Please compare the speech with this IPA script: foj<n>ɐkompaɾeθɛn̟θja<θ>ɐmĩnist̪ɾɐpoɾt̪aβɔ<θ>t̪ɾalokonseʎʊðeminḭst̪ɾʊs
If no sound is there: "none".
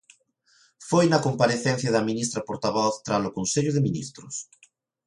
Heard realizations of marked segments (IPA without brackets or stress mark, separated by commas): n, ð, θ